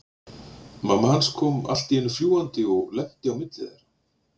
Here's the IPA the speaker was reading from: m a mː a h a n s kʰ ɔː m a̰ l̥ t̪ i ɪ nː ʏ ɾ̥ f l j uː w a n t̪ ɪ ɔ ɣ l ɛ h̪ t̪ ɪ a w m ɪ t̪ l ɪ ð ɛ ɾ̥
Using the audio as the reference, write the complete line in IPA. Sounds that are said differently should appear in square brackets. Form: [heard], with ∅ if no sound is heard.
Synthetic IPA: m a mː a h a n s kʰ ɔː m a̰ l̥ t̪ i ɪ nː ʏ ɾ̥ f l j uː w a n t̪ ɪ ɔ ɣ l ɛ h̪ t̪ ɪ a w m ɪ t̪ l ɪ ð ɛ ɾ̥